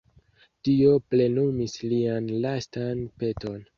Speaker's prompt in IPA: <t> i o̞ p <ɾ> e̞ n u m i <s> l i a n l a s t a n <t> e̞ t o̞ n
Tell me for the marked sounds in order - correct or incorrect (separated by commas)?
correct, incorrect, correct, incorrect